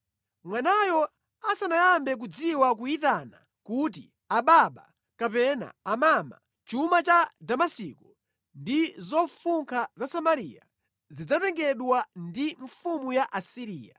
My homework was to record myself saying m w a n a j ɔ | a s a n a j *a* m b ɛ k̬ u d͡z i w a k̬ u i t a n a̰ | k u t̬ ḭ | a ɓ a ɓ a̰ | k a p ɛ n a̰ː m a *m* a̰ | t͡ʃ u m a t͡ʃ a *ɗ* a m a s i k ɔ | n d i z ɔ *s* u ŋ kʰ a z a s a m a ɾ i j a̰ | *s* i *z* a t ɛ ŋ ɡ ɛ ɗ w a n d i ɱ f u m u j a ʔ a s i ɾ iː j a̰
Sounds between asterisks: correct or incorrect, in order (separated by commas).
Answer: correct, correct, incorrect, incorrect, incorrect, incorrect